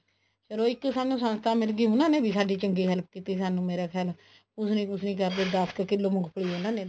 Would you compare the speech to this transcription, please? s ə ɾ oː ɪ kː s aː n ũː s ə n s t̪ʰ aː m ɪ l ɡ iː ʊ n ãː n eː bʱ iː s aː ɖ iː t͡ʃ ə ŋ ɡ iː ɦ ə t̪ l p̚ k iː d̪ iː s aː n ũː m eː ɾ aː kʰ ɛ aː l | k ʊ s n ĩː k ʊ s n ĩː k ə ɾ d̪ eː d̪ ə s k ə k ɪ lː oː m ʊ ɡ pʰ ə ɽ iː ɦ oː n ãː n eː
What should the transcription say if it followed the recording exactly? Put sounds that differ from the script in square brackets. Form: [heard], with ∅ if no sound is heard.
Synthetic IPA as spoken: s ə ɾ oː ɪ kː s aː n ũː s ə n s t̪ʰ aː m ɪ l ɡ iː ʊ n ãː n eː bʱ iː s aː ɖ iː t͡ʃ ə ŋ ɡ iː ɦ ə [∅] l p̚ k iː [t̪] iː s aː n ũː m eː ɾ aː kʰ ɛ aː l | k ʊ s n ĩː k ʊ s n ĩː k ə ɾ d̪ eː d̪ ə s k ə k ɪ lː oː m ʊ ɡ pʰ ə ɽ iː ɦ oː n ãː n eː